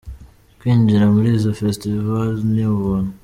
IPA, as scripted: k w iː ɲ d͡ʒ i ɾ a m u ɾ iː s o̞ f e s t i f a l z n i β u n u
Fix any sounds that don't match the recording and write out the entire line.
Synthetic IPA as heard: k w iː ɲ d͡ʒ i ɾ a m u ɾ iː z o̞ f e s t i v a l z n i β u n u